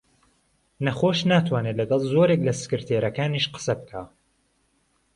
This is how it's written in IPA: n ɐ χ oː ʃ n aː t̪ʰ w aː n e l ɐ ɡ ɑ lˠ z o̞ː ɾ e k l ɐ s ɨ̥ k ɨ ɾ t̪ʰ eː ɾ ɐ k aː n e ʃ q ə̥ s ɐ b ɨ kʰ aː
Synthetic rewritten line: n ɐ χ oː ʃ n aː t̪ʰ w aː n e l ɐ ɡ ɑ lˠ z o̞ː ɾ e k l ɐ s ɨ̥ k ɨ ɾ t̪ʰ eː ɾ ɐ k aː n i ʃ q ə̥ s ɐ b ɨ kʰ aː